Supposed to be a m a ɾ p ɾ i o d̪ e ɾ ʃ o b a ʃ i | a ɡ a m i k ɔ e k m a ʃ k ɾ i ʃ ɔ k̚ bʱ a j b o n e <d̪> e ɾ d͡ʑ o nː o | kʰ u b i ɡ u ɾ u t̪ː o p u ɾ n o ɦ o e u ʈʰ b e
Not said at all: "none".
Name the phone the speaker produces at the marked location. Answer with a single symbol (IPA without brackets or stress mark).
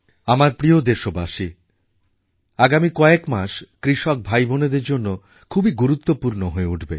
d̪